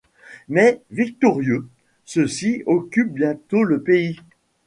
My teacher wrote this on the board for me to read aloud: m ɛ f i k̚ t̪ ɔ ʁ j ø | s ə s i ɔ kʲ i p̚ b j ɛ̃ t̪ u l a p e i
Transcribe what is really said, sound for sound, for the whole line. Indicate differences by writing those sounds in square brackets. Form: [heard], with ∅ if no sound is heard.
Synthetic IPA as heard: m ɛ [v] i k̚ t̪ ɔ ʁ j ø | s ə s i ɔ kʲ [y] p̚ b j ɛ̃ t̪ [o] l [ə] p e i